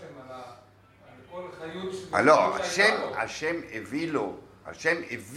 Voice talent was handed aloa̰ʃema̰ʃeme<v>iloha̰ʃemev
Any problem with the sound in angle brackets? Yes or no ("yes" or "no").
no